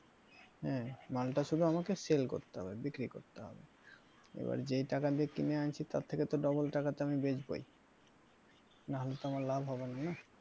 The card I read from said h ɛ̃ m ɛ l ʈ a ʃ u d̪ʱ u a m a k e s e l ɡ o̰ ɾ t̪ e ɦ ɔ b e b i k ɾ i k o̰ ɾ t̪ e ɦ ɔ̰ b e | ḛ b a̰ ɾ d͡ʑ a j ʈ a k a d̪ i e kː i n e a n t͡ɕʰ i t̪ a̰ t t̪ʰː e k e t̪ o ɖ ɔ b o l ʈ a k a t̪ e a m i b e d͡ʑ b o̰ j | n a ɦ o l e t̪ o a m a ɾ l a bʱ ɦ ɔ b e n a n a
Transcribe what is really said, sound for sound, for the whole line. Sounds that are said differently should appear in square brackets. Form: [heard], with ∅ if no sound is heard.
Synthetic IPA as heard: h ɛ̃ m [a] l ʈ a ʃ u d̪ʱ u a m a k e s e l [k] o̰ ɾ t̪ e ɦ ɔ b e b i k ɾ i k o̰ ɾ t̪ e ɦ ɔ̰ b e | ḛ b a̰ ɾ d͡ʑ [e] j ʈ a k a d̪ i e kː i n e a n t͡ɕʰ i t̪ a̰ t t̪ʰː e k e t̪ o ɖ ɔ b o l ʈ a k a t̪ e a m i b e d͡ʑ b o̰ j | n a ɦ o l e t̪ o a m a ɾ l a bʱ ɦ ɔ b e n a n a

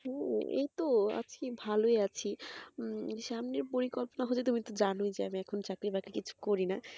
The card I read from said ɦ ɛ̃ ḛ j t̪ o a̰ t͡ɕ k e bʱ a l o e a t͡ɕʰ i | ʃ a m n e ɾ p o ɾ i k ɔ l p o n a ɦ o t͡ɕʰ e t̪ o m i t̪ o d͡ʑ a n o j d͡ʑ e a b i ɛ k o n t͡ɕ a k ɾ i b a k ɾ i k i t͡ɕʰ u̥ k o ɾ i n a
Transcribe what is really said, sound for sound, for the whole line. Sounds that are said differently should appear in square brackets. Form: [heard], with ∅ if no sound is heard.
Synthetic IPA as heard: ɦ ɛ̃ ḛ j t̪ o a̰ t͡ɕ k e bʱ a l o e a t͡ɕʰ i | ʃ a m n e ɾ p o ɾ i k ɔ l p o n a ɦ o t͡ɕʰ e t̪ [u] m i t̪ o d͡ʑ a n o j d͡ʑ e a [m] i ɛ [kʰ] o n t͡ɕ a k ɾ i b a k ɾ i k i t͡ɕʰ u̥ k o ɾ i n a

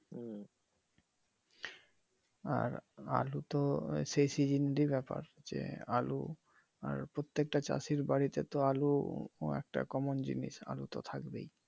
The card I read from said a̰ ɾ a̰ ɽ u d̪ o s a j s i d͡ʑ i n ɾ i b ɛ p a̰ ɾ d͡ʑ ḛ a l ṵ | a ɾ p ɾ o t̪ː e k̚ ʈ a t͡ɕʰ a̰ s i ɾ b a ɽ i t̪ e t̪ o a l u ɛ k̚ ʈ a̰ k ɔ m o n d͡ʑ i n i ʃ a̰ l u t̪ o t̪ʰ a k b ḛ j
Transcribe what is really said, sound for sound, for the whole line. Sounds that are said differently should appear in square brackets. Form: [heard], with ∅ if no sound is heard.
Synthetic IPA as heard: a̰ ɾ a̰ [l] u [t̪] o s [e] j s i d͡ʑ i n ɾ i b ɛ p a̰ ɾ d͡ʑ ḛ a l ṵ | a ɾ p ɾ o t̪ː e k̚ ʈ a [t͡ɕ] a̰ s i ɾ b a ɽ i t̪ e t̪ o a l u ɛ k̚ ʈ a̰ k ɔ m o n d͡ʑ i n i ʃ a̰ l u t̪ o t̪ʰ a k b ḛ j

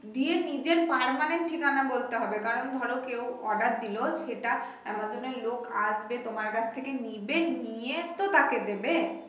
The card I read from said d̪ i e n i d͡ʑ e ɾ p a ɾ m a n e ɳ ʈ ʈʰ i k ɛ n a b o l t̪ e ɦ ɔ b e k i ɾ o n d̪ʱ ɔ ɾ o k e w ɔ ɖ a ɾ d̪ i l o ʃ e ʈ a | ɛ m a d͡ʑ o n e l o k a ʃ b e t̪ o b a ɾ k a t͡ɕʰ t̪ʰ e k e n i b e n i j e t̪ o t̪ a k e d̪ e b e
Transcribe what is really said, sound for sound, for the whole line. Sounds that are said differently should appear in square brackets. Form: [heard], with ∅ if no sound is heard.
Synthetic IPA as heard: d̪ i e n i d͡ʑ e ɾ p a ɾ m a n e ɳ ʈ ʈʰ i k [a] n a b o l t̪ e ɦ ɔ b e k [a] ɾ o n d̪ʱ ɔ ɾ o k e w ɔ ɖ a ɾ d̪ i l o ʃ e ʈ a | ɛ m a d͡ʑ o n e l o k a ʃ b e t̪ o [m] a ɾ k a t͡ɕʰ t̪ʰ e k e n i b e n i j e t̪ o t̪ a k e d̪ e b e

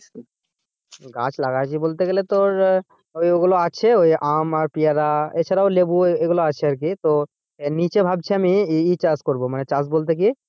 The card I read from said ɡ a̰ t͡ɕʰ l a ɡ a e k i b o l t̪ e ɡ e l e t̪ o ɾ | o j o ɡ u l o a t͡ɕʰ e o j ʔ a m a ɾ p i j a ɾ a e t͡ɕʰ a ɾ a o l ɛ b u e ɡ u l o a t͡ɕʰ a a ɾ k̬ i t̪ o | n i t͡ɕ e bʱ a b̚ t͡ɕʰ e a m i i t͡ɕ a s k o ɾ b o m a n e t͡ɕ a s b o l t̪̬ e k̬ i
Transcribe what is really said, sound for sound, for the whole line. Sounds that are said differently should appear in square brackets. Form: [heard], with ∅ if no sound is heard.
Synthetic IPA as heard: ɡ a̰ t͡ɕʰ l a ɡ a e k i b o l t̪ e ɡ e l e t̪ o ɾ | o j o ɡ u l o a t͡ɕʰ e o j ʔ a m a ɾ p i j a ɾ a e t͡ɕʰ a ɾ a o l [e] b u e ɡ u l o a t͡ɕʰ [e] a ɾ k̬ i t̪ o | n i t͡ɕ e bʱ a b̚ t͡ɕʰ e a m i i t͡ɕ a s k o ɾ b o m a n e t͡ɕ a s b o l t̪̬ e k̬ i

